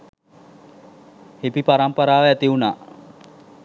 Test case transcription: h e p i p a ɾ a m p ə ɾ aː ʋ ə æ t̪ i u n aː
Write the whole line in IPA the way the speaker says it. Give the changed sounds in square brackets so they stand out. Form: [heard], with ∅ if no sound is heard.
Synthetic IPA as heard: h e p i p a ɾ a m p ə ɾ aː ʋ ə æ t̪ i u n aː